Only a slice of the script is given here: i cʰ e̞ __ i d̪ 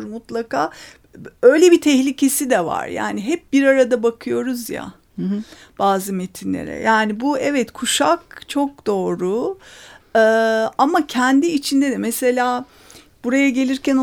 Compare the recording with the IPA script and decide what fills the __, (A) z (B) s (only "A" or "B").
B